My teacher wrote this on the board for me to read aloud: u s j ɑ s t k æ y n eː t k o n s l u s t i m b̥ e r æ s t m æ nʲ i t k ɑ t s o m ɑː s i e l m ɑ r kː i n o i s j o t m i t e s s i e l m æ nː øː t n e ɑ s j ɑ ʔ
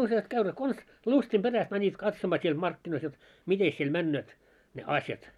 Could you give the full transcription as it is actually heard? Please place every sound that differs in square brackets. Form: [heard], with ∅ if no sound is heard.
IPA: u s j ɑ s t k æ y n eː t k o n s l u s t i m b̥ e r æ s t m æ nʲ i t k ɑ t s o m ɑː s i e l m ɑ r kː i n o i s j o t m i t e s s i e l m æ nː øː t n e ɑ s j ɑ [t]